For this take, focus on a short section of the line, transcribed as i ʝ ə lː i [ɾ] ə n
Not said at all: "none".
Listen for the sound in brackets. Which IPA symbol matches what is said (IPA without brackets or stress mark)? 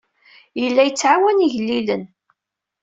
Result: l